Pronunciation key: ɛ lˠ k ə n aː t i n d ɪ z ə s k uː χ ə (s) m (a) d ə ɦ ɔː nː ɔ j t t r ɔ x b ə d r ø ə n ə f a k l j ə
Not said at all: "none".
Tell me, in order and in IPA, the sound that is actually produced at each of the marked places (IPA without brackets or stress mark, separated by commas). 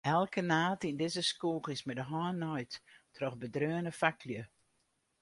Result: s, ɛ